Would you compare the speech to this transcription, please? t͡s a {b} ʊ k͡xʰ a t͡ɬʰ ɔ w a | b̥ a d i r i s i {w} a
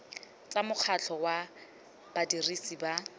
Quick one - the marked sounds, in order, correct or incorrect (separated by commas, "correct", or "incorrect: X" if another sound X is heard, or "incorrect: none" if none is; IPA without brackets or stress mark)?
incorrect: m, incorrect: b